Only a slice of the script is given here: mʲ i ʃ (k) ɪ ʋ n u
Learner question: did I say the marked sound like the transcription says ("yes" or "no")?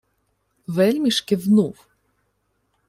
yes